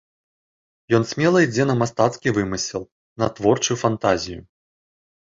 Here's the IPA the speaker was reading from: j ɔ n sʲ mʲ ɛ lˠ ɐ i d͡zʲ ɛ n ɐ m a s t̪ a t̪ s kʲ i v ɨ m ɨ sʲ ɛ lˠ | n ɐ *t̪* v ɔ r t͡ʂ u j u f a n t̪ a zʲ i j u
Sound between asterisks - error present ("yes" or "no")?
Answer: no